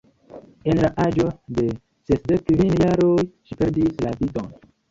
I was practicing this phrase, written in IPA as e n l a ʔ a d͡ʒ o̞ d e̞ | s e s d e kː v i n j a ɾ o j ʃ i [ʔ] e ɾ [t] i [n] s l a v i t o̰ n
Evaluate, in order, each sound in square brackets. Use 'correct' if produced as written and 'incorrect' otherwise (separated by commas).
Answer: incorrect, incorrect, incorrect